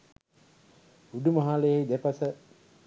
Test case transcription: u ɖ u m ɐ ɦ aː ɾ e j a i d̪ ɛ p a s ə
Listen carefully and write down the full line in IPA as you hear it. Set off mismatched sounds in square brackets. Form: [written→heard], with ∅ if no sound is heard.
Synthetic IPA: u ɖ u m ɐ ɦ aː [ɾ→l] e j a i d̪ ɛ p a s ə